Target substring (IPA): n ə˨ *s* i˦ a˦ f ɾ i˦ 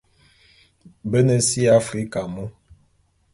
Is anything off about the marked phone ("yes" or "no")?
no